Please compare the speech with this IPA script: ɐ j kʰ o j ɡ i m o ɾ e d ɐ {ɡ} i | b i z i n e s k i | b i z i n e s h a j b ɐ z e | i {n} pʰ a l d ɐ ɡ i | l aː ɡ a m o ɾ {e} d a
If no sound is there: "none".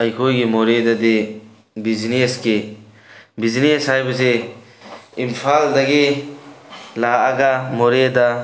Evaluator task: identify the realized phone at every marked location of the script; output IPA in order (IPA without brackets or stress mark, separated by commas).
d, m, e